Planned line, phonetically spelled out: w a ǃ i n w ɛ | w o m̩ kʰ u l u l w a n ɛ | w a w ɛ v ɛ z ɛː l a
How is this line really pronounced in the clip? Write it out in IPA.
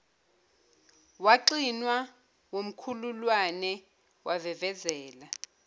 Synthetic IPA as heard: w a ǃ i n w a | w o m̩ kʰ u l u l w a n ɛ | w a v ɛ v ɛ z ɛː l a